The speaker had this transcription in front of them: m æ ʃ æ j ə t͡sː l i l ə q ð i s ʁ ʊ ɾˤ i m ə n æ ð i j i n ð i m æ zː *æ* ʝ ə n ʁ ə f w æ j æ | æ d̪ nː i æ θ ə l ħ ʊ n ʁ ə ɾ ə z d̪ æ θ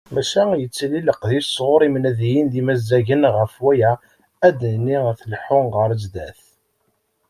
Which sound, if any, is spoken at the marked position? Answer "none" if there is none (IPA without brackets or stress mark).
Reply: æ